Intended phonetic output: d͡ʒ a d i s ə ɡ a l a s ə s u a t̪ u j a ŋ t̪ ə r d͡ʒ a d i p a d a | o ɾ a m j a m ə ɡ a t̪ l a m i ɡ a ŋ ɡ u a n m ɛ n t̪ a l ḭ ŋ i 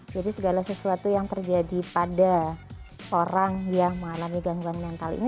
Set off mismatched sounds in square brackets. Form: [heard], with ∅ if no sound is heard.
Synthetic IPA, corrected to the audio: d͡ʒ a d i s ə ɡ a l a s ə s u a t̪ u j a ŋ t̪ ə r d͡ʒ a d i p a d a | o ɾ a [ŋ] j a m ə [ŋ] a [∅] l a m i ɡ a ŋ ɡ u a n m ɛ n t̪ a l ḭ [n] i